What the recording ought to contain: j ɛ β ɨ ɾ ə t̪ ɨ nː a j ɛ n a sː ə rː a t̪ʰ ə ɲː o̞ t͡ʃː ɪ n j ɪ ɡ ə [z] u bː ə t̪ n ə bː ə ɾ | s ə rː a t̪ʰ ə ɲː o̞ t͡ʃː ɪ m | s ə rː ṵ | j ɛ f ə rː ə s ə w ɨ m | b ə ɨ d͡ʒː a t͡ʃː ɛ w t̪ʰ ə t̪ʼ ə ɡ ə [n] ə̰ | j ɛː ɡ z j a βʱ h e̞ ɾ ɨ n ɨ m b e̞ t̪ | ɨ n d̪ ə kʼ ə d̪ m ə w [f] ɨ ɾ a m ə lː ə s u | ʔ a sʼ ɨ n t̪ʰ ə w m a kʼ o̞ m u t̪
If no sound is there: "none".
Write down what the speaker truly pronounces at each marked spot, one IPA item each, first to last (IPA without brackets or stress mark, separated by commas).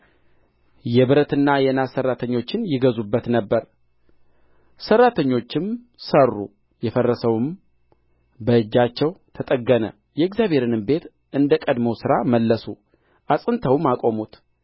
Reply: z, n, s